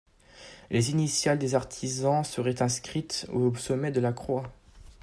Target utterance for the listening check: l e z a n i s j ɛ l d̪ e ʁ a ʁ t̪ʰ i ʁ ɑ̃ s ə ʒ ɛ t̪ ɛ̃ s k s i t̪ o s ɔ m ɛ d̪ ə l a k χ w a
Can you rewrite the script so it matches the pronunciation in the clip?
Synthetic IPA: l e z i n i s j a l d̪ e z a ʁ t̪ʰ i z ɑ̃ s ə ʁ ɛ t̪ ɛ̃ s k χ i t̪ o s ɔ m ɛ d̪ ə l a k χ w a